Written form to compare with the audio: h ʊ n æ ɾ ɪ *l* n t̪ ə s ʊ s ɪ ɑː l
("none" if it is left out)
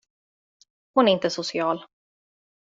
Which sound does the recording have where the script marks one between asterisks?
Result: none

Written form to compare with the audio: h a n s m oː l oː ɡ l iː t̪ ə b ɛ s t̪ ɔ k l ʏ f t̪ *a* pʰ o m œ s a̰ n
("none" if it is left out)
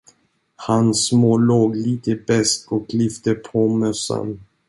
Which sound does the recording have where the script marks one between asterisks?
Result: ə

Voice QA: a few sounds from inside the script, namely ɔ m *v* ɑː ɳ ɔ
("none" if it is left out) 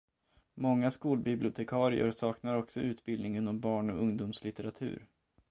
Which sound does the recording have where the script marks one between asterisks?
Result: b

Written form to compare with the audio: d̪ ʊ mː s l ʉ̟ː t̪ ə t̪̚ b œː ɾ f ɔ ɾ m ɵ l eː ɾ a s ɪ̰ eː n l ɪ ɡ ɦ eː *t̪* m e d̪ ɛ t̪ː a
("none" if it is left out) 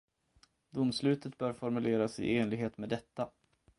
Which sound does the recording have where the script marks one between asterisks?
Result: t̪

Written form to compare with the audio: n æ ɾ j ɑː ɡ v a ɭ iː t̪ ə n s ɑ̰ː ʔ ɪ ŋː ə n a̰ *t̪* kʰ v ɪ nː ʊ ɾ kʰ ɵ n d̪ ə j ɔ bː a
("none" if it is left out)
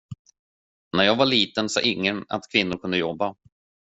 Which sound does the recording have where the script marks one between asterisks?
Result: t̪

